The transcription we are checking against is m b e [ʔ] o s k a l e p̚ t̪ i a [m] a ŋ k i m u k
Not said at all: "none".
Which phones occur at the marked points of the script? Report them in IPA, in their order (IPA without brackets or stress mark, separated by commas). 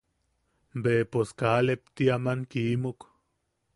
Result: p, m